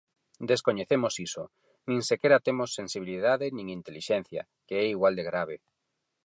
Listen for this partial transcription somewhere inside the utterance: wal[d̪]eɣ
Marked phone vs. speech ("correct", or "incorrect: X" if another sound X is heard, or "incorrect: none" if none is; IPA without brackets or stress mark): correct